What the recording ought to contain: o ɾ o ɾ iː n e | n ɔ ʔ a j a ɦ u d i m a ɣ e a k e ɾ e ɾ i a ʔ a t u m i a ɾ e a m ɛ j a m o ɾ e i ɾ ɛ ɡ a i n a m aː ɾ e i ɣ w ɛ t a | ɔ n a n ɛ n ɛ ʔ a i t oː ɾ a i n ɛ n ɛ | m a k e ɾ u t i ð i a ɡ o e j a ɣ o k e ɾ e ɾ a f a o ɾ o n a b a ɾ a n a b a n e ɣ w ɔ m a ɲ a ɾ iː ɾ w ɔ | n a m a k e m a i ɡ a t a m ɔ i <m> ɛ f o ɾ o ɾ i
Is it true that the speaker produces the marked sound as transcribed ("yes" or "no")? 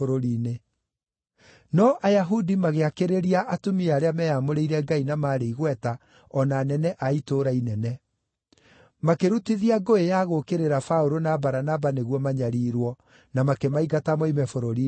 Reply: yes